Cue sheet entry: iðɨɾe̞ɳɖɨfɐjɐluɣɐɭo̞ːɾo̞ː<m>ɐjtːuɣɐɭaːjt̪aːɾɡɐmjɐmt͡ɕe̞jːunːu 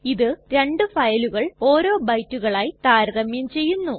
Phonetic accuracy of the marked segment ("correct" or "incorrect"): incorrect